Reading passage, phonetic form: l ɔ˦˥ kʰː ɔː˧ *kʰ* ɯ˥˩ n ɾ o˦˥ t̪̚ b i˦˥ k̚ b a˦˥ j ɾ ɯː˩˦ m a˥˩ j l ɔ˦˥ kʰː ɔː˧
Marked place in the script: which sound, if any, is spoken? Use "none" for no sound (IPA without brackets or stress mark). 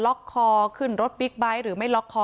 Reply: kʰ